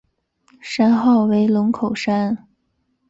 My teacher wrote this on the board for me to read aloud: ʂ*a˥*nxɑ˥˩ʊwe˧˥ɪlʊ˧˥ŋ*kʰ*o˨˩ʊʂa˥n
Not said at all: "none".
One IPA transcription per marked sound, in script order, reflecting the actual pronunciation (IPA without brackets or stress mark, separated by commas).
a˥, kʰ